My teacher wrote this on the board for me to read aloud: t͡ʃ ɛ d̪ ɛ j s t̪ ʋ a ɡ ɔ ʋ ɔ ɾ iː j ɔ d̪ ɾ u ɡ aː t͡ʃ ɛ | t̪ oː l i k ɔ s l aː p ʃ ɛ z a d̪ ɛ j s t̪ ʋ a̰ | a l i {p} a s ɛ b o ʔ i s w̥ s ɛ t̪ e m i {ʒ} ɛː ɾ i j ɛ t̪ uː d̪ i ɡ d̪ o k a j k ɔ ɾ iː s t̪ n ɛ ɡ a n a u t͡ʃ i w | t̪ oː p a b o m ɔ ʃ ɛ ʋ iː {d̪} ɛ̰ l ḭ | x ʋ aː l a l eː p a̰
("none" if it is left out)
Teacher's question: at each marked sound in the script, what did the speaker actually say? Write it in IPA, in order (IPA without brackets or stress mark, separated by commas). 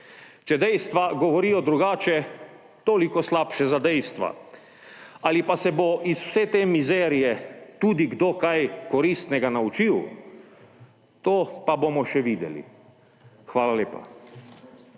p, z, d̪